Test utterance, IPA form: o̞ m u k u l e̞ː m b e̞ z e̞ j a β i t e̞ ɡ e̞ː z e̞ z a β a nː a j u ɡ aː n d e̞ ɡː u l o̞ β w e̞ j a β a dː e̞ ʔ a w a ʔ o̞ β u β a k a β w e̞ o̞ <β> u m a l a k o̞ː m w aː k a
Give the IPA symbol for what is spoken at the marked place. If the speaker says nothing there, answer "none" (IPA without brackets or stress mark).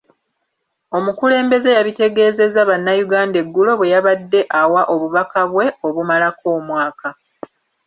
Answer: β